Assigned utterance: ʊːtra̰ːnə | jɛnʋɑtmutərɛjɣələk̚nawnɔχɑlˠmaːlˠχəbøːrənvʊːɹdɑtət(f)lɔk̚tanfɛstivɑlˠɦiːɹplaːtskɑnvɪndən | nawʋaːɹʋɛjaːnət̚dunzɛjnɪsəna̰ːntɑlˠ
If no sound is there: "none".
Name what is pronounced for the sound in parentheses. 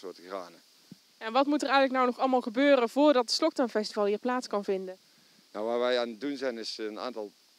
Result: s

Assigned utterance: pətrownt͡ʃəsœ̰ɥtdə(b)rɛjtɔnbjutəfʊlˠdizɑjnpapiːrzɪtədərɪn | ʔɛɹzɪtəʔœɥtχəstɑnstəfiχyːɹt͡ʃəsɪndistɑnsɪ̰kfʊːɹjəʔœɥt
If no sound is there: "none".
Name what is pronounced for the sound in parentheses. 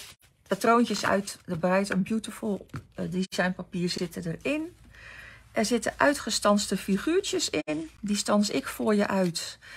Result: b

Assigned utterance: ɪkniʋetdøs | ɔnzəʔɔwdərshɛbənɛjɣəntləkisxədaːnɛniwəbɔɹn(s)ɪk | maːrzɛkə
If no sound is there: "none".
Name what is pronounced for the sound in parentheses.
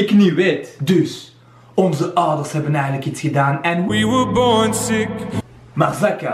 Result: s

